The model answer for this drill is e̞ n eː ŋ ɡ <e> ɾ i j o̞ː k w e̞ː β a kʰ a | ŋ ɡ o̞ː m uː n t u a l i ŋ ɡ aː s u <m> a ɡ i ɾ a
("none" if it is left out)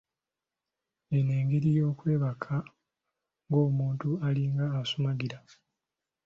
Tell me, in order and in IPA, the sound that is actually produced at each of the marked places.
e, m

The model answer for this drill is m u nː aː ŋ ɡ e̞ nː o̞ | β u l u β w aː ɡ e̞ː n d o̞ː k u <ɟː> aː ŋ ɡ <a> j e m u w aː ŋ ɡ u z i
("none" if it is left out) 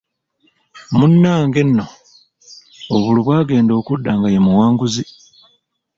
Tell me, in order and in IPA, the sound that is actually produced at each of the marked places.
dː, a

